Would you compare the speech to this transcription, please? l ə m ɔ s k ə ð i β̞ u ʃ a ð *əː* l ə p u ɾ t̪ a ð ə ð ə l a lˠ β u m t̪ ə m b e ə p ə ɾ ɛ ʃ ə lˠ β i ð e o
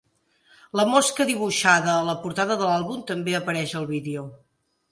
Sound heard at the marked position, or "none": əː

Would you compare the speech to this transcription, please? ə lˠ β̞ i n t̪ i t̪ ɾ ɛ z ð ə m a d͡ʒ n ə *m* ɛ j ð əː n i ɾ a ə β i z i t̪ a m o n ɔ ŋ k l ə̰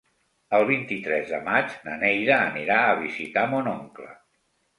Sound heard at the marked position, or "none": n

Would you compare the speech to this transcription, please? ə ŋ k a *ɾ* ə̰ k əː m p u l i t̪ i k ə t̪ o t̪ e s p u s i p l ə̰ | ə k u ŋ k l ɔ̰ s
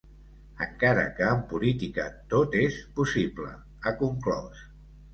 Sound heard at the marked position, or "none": ɾ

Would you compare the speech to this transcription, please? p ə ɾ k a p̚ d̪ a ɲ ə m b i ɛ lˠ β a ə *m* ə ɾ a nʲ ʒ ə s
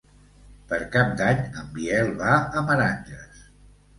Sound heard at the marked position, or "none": m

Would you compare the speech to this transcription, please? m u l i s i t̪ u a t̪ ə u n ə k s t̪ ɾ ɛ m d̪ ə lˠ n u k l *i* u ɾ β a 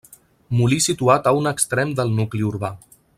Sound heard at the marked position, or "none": i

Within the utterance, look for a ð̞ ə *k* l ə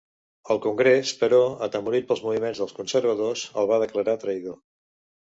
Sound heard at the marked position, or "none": k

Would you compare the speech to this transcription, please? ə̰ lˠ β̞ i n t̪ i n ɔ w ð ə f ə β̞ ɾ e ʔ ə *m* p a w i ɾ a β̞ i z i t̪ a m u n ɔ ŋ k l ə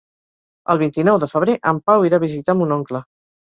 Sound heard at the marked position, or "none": m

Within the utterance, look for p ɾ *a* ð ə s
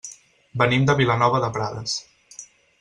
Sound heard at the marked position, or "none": a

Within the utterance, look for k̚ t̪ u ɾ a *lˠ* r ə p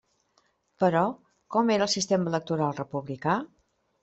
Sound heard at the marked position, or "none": lˠ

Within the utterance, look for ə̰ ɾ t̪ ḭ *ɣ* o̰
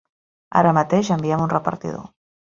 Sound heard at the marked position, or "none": ð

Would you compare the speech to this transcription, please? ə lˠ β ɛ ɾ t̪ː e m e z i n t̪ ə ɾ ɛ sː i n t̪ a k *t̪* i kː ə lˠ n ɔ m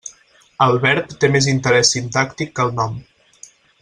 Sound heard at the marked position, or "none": t̪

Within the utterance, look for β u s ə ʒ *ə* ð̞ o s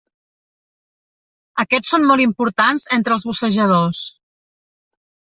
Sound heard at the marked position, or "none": ə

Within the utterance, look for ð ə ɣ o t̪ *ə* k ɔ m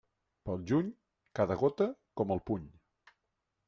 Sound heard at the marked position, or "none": ə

